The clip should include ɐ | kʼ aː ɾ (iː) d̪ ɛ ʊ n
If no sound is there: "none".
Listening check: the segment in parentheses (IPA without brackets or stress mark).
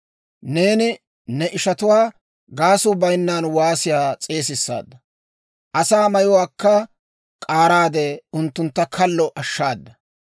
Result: aː